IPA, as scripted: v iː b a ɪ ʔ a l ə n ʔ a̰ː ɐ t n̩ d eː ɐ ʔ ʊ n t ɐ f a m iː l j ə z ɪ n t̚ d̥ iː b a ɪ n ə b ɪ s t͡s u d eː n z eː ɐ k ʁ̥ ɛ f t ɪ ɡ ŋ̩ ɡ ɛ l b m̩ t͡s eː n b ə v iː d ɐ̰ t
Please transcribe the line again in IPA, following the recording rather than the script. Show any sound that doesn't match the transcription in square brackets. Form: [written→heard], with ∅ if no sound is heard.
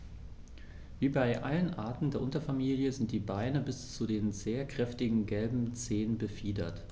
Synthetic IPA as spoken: v iː b a ɪ ʔ a l ə n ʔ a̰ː ɐ t n̩ d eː ɐ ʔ ʊ n t ɐ f a m iː l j ə z ɪ n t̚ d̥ iː b a ɪ n ə b ɪ s t͡s u d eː n z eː ɐ k ʁ̥ ɛ f t ɪ ɡ ŋ̩ ɡ ɛ l b m̩ t͡s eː n b ə [v→f] iː d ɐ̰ t